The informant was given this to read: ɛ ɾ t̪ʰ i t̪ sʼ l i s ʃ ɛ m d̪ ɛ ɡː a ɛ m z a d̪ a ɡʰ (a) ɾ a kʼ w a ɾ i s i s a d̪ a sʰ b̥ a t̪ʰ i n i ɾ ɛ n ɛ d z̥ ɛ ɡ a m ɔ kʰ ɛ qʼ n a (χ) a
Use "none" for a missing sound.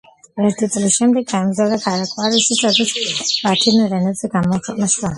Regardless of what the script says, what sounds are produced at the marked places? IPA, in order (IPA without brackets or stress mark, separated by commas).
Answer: a, ʃ